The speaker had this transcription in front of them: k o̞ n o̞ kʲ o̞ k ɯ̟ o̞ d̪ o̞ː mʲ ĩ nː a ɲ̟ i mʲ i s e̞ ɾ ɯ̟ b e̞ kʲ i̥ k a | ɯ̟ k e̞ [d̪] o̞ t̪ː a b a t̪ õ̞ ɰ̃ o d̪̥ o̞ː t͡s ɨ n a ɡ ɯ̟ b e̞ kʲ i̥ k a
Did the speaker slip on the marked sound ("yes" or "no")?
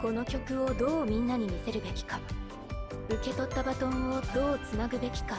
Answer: yes